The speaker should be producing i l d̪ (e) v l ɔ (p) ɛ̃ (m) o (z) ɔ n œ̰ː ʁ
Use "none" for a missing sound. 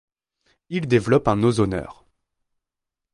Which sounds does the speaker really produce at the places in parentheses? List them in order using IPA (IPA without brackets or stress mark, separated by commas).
e, p, n, z